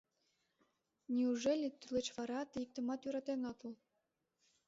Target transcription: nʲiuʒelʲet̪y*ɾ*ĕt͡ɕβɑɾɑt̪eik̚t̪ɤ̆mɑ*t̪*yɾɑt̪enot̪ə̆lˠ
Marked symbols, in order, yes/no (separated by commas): no, yes